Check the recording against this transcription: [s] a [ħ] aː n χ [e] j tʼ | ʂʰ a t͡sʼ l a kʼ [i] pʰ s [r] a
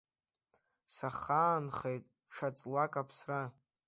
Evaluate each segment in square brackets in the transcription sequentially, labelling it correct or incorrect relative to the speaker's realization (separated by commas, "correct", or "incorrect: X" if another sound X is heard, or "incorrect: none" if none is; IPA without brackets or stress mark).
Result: correct, incorrect: χ, correct, incorrect: a, correct